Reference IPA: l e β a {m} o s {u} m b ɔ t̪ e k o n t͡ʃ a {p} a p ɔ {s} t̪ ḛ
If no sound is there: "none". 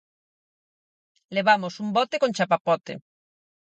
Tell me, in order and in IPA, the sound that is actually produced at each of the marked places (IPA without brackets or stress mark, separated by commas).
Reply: m, u, p, none